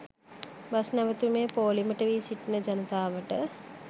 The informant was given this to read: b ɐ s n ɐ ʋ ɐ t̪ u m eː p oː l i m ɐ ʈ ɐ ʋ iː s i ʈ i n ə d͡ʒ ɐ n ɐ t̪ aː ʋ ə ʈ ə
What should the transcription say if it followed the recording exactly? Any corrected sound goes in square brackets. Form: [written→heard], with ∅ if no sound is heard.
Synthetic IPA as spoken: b ɐ s n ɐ ʋ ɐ t̪ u m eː p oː l i m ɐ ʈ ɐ ʋ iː s i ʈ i n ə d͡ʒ ɐ n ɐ t̪ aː ʋ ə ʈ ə